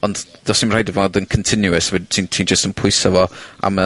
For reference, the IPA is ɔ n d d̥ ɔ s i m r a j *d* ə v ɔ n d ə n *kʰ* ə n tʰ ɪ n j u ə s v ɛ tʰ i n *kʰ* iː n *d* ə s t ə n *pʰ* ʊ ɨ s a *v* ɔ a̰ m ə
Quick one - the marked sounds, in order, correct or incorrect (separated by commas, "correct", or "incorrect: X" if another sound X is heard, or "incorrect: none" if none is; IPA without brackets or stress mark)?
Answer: correct, correct, incorrect: tʰ, incorrect: d͡ʒ, correct, correct